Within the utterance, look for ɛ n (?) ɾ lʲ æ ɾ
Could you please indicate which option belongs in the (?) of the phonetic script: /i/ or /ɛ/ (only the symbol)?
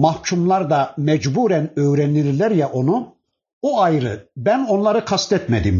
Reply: i